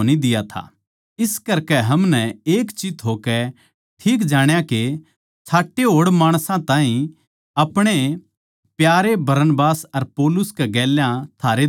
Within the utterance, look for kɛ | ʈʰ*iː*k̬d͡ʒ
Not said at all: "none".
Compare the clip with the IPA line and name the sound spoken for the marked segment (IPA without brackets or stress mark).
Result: iː